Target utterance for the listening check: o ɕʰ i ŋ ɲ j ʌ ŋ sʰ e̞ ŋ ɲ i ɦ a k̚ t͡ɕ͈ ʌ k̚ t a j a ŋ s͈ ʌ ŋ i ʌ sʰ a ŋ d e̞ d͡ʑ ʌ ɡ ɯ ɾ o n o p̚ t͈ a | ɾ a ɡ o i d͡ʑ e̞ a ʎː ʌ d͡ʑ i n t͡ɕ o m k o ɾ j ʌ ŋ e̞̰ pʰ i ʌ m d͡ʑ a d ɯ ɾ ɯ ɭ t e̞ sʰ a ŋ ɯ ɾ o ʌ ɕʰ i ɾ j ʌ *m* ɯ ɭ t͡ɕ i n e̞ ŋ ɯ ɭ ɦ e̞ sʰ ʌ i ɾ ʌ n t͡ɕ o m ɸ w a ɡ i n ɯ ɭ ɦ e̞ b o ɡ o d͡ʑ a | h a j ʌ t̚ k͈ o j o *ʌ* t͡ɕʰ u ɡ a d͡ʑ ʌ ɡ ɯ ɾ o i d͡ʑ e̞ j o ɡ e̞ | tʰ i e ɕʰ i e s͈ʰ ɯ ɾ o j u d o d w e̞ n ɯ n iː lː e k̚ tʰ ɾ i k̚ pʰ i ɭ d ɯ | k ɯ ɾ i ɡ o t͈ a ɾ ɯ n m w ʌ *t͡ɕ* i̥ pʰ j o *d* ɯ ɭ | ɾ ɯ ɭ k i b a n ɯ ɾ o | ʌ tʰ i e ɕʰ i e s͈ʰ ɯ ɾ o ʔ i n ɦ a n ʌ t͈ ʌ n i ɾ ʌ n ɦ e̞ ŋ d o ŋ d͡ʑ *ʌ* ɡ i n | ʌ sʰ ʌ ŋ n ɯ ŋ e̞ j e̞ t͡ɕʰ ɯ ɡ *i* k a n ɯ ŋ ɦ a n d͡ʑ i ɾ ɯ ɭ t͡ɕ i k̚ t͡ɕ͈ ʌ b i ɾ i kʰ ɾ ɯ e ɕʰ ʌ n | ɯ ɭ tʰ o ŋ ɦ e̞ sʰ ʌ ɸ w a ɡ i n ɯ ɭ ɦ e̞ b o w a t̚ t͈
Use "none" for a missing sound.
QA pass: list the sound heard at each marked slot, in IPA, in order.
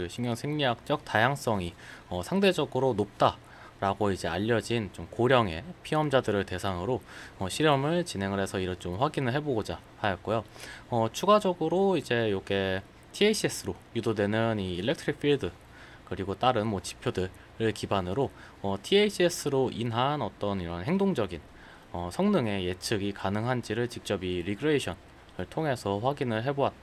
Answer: m, ʌ, t͡ɕ, d, ʌ, i

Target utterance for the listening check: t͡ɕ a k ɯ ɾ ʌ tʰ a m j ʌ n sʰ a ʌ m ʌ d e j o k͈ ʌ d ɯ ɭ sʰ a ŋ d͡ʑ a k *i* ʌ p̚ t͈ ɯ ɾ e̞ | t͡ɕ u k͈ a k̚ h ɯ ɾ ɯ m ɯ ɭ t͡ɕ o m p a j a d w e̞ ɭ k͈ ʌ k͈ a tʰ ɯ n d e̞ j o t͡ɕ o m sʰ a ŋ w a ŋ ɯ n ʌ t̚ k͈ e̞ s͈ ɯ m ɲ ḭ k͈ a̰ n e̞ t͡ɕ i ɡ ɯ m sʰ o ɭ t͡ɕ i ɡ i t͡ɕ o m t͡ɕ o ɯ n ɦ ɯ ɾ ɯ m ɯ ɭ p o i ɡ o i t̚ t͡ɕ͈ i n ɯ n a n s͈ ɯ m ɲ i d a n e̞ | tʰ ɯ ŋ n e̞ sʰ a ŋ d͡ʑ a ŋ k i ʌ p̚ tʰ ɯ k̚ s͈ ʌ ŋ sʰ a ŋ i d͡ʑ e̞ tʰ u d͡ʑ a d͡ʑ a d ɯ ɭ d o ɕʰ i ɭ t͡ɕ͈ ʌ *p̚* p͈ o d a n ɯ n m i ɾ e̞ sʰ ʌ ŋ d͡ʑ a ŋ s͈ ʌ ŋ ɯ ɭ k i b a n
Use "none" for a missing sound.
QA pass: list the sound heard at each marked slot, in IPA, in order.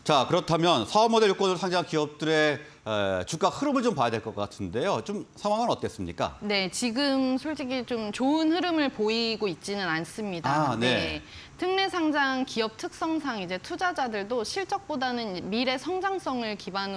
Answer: i, k̚

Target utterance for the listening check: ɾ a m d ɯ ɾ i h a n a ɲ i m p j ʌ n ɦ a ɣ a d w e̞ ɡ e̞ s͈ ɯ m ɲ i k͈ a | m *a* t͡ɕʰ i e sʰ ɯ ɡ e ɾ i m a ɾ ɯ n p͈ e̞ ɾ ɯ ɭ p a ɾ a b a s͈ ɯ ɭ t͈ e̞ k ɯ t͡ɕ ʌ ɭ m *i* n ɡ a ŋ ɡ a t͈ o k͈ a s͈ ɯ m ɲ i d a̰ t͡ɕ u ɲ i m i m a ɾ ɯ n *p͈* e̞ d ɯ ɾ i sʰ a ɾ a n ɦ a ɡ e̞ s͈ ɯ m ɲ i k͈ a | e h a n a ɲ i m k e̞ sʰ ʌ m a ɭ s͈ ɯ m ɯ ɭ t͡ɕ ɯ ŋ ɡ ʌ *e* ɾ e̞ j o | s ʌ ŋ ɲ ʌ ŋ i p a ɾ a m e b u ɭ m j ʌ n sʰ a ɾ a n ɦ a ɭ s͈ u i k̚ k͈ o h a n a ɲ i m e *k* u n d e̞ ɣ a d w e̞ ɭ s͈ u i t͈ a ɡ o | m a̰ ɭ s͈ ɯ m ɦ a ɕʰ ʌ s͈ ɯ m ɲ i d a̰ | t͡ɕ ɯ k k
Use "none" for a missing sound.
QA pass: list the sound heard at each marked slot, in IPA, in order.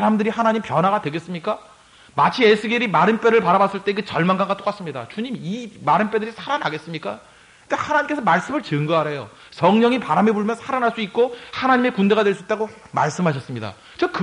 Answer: a, a, p͈, a, k

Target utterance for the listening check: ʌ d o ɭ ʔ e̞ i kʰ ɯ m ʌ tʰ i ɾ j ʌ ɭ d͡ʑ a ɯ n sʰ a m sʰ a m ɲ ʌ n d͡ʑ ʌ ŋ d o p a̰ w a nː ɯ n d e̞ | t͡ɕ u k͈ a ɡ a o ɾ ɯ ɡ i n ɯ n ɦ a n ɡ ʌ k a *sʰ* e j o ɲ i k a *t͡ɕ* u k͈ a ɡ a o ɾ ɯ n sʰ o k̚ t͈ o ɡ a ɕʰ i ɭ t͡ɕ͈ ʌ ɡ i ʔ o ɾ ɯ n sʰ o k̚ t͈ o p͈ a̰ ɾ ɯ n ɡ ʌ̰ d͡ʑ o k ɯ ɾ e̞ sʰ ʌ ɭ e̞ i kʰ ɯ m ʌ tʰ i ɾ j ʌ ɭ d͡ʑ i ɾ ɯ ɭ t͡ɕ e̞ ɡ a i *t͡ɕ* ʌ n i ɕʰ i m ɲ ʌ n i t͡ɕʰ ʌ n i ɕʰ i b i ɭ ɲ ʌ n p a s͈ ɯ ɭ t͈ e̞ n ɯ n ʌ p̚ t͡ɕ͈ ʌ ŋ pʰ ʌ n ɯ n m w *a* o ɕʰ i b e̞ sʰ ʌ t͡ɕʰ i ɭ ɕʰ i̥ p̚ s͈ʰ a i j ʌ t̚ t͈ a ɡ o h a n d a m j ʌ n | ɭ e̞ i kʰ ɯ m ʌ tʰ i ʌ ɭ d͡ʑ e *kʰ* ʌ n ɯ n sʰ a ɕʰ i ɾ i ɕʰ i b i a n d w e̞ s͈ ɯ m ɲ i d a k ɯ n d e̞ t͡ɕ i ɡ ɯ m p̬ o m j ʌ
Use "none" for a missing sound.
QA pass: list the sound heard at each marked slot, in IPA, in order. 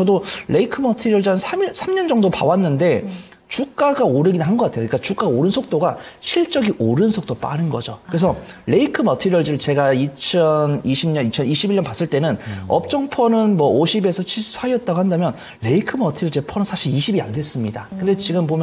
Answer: tʰ, t͡ɕ, t͡ɕʰ, ʌ, pʰ

